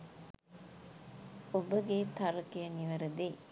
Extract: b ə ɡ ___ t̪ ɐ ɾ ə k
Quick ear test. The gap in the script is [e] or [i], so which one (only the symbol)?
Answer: e